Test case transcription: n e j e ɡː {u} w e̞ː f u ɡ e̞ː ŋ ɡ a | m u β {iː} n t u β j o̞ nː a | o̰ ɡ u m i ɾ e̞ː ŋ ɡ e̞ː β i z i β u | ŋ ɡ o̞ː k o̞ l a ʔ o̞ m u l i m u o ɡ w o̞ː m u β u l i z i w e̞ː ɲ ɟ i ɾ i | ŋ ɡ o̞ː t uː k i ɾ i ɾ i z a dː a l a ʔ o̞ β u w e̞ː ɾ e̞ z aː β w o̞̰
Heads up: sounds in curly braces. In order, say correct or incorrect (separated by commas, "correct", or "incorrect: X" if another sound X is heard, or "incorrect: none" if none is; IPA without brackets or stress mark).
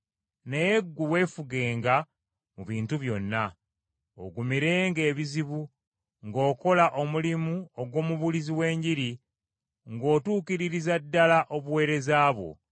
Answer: correct, correct